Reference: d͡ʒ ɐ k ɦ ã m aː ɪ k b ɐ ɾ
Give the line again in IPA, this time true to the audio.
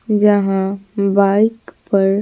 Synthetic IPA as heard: d͡ʒ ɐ ɦ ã b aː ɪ k p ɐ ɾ